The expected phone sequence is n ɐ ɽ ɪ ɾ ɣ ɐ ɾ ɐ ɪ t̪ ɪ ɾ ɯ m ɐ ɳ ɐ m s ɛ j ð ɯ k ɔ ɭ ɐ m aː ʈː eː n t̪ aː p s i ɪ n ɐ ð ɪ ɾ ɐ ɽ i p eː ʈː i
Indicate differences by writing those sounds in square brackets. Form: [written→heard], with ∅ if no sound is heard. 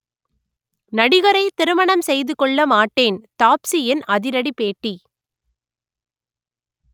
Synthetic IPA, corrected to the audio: n ɐ ɽ ɪ [ɾ→∅] ɣ ɐ ɾ ɐ ɪ t̪ ɪ ɾ ɯ m ɐ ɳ ɐ m s ɛ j ð ɯ k ɔ [ɭ→ɭː] ɐ m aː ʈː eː n t̪ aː p s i ɪ n ɐ ð ɪ ɾ ɐ ɽ i p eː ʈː i